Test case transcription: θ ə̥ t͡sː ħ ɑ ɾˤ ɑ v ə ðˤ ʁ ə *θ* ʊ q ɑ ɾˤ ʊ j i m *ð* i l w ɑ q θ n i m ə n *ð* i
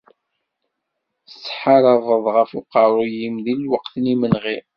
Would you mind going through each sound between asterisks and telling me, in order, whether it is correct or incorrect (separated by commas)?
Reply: incorrect, correct, incorrect